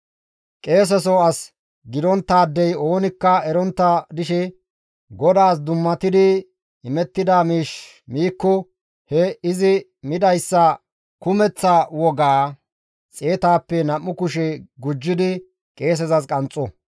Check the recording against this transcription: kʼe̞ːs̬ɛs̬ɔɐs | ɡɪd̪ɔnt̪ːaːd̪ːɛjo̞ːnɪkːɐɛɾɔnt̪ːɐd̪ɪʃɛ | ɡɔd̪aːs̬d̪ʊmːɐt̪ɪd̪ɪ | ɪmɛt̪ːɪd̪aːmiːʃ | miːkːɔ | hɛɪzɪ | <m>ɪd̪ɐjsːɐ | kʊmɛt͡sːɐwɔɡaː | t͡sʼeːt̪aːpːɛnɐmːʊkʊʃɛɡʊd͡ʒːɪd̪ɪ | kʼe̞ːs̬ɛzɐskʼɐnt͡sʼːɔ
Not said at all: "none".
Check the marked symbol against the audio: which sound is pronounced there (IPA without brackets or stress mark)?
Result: m